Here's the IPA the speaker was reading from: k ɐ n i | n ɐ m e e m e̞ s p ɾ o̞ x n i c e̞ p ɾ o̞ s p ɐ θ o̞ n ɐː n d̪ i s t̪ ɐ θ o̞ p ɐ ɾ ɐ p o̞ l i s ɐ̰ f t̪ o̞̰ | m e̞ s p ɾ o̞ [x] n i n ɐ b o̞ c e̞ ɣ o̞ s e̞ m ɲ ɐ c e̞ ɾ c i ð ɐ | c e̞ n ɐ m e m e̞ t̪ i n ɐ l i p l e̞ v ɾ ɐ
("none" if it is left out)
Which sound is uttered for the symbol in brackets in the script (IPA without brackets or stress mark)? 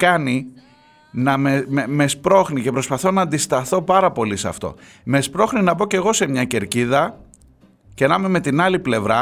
x